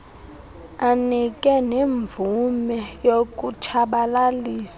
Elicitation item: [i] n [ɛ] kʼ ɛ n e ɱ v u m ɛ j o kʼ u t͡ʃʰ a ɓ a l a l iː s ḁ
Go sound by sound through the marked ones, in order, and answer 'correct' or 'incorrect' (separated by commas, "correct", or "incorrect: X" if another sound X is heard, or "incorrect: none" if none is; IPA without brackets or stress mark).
incorrect: a, incorrect: i